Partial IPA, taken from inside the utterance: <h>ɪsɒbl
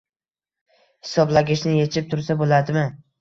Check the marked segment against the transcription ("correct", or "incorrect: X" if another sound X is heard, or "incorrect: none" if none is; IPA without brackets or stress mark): correct